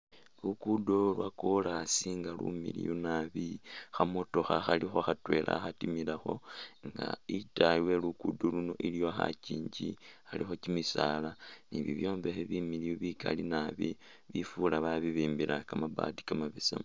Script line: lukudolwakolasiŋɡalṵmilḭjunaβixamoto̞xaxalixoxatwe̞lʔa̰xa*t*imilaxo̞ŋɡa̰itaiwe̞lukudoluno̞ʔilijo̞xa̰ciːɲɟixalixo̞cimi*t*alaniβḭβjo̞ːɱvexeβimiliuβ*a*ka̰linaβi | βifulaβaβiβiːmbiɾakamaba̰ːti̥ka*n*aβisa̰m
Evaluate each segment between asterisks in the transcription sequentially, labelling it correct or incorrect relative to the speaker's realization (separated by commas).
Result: correct, incorrect, incorrect, incorrect